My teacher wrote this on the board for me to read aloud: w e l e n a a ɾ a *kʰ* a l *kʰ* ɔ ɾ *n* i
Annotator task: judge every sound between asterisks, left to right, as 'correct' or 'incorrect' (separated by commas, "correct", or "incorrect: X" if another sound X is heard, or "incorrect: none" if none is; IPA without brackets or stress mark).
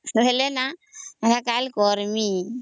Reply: incorrect: k, incorrect: k, incorrect: m